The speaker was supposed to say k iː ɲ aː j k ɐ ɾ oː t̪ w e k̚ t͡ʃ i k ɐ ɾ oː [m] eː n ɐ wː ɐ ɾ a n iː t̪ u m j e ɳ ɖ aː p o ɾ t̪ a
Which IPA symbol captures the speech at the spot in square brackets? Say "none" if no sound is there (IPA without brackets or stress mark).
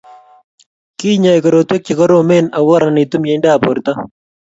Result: m